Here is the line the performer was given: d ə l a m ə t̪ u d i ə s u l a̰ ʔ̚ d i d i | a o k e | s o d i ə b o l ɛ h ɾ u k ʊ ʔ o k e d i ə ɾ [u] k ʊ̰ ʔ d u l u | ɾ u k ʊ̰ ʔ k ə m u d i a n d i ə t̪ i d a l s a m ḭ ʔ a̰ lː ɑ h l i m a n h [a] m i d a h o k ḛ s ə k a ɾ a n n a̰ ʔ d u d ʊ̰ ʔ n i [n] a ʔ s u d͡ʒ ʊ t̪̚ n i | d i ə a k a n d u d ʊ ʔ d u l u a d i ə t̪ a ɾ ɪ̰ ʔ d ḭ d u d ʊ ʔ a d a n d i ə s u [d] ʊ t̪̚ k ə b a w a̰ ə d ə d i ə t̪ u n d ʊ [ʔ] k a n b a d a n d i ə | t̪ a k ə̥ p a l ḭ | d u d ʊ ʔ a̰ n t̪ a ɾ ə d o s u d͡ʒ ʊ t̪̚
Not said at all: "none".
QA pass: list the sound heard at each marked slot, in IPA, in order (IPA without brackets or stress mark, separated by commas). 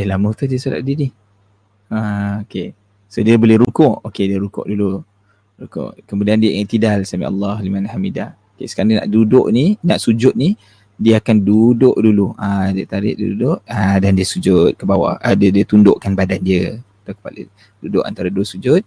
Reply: u, a, n, d͡ʒ, ʔ